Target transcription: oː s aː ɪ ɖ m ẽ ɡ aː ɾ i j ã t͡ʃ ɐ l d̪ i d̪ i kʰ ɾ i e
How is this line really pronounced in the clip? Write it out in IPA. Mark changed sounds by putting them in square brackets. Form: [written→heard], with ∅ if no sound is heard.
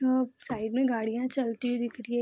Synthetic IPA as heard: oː s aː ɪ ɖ m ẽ ɡ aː [ɾ→ɽ] i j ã t͡ʃ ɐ l [d̪→t̪] i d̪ [i→ɪ] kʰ ɾ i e